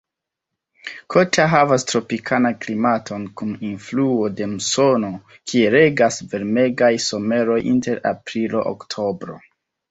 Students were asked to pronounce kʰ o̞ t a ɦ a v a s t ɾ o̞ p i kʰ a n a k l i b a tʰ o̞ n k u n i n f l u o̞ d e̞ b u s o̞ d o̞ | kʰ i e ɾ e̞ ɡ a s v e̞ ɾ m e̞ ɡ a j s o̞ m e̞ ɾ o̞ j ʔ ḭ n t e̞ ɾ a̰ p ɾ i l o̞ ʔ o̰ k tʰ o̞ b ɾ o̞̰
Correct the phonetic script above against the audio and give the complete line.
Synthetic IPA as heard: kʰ o̞ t a ɦ a v a s t ɾ o̞ p i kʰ a n a k l i m a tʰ o̞ n k u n i n f l u o̞ d e̞ m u s o̞ n o̞ | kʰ i e ɾ e̞ ɡ a s v e̞ ɾ m e̞ ɡ a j s o̞ m e̞ ɾ o̞ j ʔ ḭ n t e̞ ɾ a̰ p ɾ i l o̞ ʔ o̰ k tʰ o̞ b ɾ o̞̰